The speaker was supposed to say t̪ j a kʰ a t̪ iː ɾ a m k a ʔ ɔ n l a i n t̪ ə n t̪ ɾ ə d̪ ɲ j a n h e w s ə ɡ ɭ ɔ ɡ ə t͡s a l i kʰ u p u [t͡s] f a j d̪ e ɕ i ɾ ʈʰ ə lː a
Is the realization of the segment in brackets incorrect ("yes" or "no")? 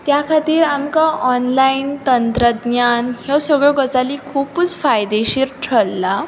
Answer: no